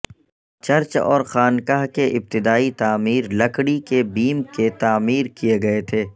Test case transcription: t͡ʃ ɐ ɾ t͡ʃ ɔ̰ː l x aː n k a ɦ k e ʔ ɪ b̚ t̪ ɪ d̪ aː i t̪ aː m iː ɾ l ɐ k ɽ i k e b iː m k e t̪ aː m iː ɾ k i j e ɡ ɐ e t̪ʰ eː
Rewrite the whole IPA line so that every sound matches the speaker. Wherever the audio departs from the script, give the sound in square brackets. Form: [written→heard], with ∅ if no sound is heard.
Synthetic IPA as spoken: t͡ʃ ɐ ɾ t͡ʃ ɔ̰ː [l→ɾ] x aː n k a ɦ k e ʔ ɪ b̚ t̪ ɪ d̪ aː i t̪ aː m iː ɾ l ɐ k ɽ i k e b iː m k e t̪ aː m iː ɾ k i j e ɡ ɐ e t̪ʰ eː